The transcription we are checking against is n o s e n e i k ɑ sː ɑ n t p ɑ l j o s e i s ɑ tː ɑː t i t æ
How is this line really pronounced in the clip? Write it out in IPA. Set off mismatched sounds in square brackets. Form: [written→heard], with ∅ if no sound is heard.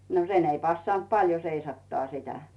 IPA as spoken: n o s e n e i [k→p] ɑ sː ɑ n t p ɑ l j o s e i s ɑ tː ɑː [t→s] i t æ